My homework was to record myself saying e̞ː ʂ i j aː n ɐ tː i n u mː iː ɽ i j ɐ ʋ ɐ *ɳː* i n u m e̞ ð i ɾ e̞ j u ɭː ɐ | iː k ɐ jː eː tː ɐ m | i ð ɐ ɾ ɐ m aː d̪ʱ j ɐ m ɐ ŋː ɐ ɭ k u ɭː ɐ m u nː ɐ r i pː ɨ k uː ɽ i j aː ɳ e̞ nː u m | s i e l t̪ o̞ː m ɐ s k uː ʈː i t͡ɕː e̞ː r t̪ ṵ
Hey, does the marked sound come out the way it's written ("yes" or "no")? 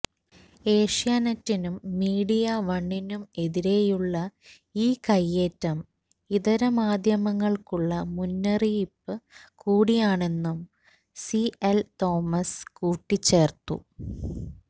yes